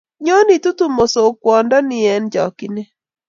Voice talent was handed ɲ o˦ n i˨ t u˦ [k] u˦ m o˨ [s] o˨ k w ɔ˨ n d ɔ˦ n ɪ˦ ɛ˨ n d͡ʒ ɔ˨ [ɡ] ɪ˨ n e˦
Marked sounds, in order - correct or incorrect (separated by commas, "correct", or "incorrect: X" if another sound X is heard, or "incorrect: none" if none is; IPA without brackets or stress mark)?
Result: incorrect: t, correct, incorrect: k